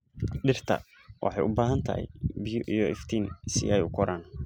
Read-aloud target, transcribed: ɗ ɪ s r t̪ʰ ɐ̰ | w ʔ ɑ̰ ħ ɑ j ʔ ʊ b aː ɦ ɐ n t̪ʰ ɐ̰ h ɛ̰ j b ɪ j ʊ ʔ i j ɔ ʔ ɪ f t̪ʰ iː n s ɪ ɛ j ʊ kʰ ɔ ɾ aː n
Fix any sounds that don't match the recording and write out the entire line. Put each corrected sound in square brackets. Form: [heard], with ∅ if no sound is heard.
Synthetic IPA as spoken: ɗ ɪ [∅] r t̪ʰ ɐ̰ | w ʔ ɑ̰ ħ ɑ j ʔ ʊ b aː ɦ ɐ n t̪ʰ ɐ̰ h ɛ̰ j b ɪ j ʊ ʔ i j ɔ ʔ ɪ f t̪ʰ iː n s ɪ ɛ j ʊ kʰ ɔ ɾ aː n